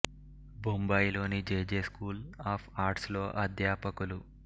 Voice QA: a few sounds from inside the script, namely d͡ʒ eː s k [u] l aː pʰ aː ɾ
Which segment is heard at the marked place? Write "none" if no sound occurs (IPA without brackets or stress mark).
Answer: uː